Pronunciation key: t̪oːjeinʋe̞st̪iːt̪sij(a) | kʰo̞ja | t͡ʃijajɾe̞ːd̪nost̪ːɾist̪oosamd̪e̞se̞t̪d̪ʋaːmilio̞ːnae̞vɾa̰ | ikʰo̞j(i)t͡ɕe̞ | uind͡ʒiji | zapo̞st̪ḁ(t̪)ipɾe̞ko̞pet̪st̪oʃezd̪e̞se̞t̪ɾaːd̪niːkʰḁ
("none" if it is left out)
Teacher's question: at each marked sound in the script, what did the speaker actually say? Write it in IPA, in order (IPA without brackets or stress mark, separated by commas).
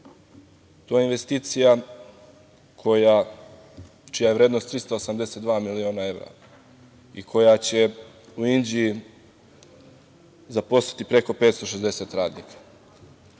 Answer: a, a, t̪